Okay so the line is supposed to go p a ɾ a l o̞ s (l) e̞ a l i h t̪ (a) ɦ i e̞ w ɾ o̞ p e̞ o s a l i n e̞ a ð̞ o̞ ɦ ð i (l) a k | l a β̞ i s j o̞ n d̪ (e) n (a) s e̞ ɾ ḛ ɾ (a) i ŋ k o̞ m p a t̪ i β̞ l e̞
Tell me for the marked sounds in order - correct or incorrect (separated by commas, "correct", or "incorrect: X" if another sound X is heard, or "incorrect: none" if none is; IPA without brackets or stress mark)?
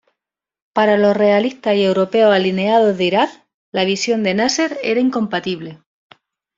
incorrect: r, correct, incorrect: ɾ, correct, correct, correct